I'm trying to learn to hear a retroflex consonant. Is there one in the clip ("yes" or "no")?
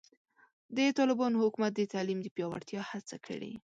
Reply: yes